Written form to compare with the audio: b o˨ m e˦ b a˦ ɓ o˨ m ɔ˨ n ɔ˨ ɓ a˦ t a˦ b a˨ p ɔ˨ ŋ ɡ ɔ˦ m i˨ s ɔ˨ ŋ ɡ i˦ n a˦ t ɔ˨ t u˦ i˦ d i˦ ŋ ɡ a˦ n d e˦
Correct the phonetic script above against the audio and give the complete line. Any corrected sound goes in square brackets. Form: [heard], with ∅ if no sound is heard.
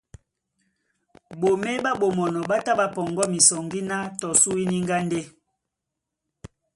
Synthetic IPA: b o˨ m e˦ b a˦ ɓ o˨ m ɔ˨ n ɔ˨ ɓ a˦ t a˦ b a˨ p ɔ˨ ŋ ɡ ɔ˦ m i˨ s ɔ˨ ŋ ɡ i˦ n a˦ t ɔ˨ [s] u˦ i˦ [n] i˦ ŋ ɡ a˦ n d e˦

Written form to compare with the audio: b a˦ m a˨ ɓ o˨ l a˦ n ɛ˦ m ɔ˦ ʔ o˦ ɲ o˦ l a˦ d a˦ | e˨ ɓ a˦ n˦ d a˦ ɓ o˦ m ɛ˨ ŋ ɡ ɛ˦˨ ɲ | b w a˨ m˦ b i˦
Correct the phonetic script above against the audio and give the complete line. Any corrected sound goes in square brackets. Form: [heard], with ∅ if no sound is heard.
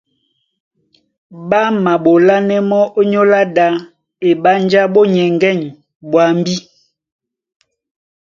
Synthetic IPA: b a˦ m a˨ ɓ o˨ l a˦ n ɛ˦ m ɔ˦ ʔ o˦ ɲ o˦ l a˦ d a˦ | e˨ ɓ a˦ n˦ [d͡ʒ] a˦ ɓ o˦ [ɲ] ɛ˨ ŋ ɡ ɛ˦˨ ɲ | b w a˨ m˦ b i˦

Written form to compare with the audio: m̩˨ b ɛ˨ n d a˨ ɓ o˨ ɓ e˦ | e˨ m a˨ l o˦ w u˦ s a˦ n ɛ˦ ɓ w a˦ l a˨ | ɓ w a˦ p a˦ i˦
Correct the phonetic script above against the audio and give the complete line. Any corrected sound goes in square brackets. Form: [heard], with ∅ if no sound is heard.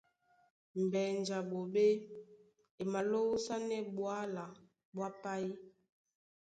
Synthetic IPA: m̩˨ b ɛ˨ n [d͡ʒ] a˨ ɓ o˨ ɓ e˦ | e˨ m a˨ l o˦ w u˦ s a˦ n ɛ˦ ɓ w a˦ l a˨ | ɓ w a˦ p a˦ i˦

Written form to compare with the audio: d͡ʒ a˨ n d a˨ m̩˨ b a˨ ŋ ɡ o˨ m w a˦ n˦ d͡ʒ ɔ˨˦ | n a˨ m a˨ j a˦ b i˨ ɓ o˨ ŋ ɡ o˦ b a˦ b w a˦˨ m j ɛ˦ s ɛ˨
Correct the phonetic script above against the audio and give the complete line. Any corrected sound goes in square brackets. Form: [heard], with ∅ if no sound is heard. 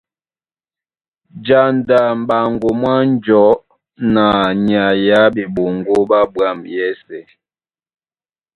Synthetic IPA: d͡ʒ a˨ n d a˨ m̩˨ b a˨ ŋ ɡ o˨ m w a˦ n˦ d͡ʒ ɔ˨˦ | n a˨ [ɲ] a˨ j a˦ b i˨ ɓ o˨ ŋ ɡ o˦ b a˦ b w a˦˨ m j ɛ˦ s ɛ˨

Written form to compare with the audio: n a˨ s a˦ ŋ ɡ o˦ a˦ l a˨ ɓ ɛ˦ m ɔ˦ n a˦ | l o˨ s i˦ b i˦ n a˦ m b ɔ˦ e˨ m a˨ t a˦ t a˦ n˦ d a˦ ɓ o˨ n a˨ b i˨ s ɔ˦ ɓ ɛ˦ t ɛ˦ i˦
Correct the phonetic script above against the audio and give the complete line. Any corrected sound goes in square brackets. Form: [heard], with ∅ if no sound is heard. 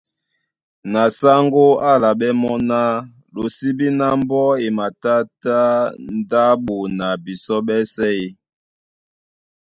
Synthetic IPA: n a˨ s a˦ ŋ ɡ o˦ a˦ l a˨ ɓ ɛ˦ m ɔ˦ n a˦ | l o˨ s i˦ b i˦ n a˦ m b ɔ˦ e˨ m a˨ t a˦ t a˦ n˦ d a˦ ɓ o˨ n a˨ b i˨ s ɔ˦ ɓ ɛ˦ [s] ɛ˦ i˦

